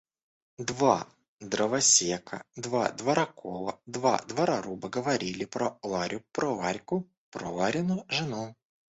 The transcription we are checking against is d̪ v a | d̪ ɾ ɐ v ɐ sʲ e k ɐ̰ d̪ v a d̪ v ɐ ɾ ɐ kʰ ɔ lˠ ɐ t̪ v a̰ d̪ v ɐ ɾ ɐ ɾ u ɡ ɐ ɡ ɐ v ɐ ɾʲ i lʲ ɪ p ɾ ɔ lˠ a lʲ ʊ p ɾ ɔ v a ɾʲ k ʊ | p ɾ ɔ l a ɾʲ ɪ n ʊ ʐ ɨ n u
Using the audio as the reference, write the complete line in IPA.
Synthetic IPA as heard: d̪ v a | d̪ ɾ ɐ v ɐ sʲ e k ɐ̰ d̪ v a d̪ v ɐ ɾ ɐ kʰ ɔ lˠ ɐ d̪ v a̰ d̪ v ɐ ɾ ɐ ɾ u b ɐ ɡ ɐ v ɐ ɾʲ i lʲ ɪ p ɾ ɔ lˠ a ɾʲ ʊ p ɾ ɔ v a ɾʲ k ʊ | p ɾ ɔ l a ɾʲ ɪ n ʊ ʐ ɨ n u

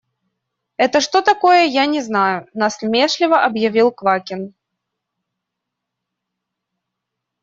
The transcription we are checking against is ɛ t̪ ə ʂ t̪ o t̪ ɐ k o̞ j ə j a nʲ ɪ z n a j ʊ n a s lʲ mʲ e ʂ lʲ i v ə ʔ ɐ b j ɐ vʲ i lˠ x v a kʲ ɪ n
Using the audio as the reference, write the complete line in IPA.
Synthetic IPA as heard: ɛ t̪ ə ʂ t̪ o t̪ ɐ k o̞ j ə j a nʲ ɪ z n a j ʊ n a s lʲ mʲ e ʂ lʲ ɪ v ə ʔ ɐ b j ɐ vʲ i lˠ k v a kʲ ɪ n

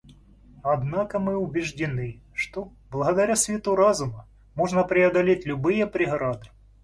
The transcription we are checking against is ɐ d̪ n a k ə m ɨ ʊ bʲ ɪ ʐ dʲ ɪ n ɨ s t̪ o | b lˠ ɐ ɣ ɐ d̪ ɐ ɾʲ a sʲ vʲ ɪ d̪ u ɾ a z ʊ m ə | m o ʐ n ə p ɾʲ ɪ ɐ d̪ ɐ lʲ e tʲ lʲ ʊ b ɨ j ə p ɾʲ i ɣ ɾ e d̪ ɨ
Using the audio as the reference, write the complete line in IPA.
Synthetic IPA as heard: ɐ d̪ n a k ə m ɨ ʊ bʲ ɪ ʐ dʲ ɪ n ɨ ʂ t̪ o | b lˠ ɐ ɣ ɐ d̪ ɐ ɾʲ a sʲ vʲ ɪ t̪ u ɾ a z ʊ m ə | m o ʐ n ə p ɾʲ ɪ ɐ d̪ ɐ lʲ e tʲ lʲ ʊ b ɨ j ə p ɾʲ ɪ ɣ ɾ a d̪ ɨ

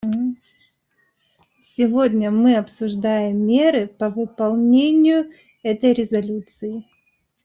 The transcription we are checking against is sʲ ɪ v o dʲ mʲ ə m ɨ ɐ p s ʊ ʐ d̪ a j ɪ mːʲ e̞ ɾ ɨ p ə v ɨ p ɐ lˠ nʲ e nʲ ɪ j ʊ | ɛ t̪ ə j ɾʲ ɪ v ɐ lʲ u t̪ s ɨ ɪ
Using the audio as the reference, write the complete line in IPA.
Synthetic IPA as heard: sʲ ɪ v o dʲ nʲ ə m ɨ ɐ p s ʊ ʐ d̪ a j ɪ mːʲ e̞ ɾ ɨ p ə v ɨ p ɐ lˠ nʲ e nʲ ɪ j ʊ | ɛ t̪ ə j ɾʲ ɪ z ɐ lʲ u t̪ s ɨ ɪ

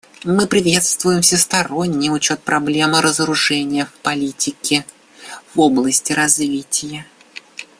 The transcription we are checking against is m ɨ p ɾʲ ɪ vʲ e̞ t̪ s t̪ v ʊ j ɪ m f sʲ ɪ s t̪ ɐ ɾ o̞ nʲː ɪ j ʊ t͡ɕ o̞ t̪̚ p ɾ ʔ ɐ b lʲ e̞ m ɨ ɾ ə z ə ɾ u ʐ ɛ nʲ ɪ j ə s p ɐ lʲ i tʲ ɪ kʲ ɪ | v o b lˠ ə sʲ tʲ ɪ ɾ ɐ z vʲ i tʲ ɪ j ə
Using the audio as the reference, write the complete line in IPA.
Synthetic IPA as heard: m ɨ p ɾʲ ɪ vʲ e̞ t̪ s t̪ v ʊ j ɪ m f sʲ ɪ s t̪ ɐ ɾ o̞ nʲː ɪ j ʊ t͡ɕ o̞ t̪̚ p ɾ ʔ ɐ b lʲ e̞ m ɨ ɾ ə z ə ɾ ʊ ʐ ɛ nʲ ɪ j ə f p ɐ lʲ i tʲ ɪ kʲ ɪ | v o b lˠ ə sʲ tʲ ɪ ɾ ɐ z vʲ i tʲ ɪ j ə

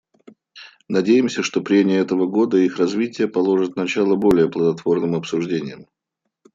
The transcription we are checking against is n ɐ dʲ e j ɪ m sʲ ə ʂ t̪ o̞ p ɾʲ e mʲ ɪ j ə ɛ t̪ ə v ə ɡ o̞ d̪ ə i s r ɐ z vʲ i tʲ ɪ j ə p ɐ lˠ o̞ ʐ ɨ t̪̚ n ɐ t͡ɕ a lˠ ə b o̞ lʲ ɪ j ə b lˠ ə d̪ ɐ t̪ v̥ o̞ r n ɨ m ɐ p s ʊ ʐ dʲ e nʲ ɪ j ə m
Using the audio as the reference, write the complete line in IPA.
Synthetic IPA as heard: n ɐ dʲ e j ɪ m sʲ ə ʂ t̪ o̞ p ɾʲ e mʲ ɪ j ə ɛ t̪ ə v ə ɡ o̞ d̪ ə i x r ɐ z vʲ i tʲ ɪ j ə p ɐ lˠ o̞ ʐ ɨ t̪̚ n ɐ t͡ɕ a lˠ ə b o̞ lʲ ɪ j ə p lˠ ə d̪ ɐ t̪ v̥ o̞ r n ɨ m ɐ p s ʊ ʐ dʲ e nʲ ɪ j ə m

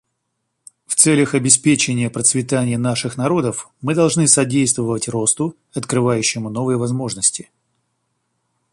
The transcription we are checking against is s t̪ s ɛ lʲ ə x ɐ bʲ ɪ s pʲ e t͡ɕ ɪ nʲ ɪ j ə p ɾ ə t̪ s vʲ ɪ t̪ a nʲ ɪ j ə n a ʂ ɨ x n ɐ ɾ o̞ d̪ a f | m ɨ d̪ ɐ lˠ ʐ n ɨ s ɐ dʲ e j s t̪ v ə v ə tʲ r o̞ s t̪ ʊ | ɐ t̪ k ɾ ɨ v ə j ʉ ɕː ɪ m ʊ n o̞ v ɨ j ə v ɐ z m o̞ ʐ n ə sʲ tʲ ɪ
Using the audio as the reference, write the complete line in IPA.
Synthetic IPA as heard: f t̪ s ɛ lʲ ə x ɐ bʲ ɪ s pʲ e t͡ɕ ɪ nʲ ɪ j ə p ɾ ə t̪ s vʲ ɪ t̪ a nʲ ɪ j ə n a ʂ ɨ x n ɐ ɾ o̞ d̪ ə f | m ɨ d̪ ɐ lˠ ʐ n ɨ s ɐ dʲ e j s t̪ v ə v ə tʲ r o̞ s t̪ ʊ | ɐ t̪ k ɾ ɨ v a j ʉ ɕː ɪ m ʊ n o̞ v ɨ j ə v ɐ z m o̞ ʐ n ə sʲ tʲ ɪ

